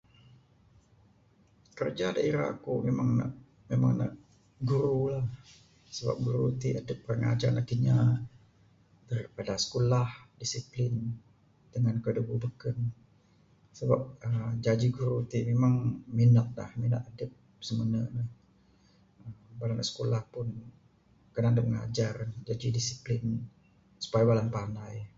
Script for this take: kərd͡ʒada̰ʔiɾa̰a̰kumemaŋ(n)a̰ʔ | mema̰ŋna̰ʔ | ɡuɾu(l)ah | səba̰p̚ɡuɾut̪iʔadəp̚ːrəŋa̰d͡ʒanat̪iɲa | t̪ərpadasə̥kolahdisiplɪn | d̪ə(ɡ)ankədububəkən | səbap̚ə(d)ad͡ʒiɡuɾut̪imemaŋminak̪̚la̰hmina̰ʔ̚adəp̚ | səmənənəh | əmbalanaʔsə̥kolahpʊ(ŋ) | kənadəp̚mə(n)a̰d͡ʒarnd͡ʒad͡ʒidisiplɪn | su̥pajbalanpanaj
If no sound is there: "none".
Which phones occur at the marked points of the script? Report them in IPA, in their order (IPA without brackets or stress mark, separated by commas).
n, l, ŋ, d͡ʒ, n, ŋ